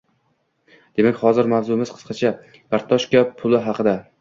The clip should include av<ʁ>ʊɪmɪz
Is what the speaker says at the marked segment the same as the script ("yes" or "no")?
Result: no